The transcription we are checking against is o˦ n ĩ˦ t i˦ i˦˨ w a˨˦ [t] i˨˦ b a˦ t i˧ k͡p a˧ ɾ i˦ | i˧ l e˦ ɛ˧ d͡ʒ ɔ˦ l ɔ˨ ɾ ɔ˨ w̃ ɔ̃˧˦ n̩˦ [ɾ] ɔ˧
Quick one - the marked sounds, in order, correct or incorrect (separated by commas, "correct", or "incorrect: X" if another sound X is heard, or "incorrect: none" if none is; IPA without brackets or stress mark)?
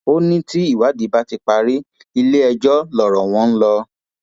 incorrect: d, incorrect: l